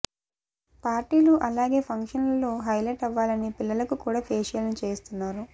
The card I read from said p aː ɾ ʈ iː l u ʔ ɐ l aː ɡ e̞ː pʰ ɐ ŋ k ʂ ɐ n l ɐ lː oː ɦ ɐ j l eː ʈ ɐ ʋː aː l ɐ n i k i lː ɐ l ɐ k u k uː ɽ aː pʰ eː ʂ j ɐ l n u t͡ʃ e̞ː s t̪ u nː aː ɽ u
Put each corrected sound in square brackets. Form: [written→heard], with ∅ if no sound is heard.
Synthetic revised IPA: p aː ɾ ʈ iː l u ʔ ɐ l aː ɡ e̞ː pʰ ɐ ŋ k ʂ ɐ n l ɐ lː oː ɦ ɐ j l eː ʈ ɐ ʋː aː l ɐ n i [k→p] i lː ɐ l ɐ k u k uː ɽ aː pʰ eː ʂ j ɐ l n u t͡ʃ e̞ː s t̪ u nː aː [ɽ→ɾ] u